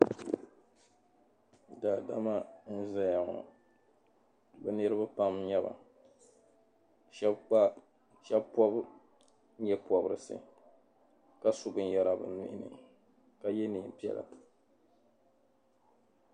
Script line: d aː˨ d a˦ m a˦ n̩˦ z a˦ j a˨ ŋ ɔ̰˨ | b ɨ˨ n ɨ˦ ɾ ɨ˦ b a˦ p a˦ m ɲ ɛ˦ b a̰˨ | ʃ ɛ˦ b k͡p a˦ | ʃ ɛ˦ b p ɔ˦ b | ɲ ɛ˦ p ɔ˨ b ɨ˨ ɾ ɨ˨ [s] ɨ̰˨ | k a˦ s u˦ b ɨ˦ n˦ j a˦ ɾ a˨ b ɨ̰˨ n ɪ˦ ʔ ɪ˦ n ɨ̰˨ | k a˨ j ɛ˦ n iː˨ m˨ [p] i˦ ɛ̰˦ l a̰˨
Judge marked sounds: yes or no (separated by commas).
yes, yes